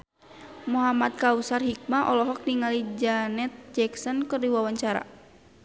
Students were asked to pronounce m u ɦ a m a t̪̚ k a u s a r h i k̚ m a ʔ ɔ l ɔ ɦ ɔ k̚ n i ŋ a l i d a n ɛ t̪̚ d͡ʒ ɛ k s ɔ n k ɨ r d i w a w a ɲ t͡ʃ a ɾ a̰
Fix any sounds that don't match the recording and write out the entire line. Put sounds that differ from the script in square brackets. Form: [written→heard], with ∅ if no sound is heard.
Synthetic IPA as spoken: m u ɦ a m a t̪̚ k a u s a r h i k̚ m a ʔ ɔ l ɔ ɦ ɔ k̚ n i ŋ a l i [d→d͡ʒ] a n ɛ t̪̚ d͡ʒ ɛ k s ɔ n k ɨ r d i w a w a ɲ t͡ʃ a ɾ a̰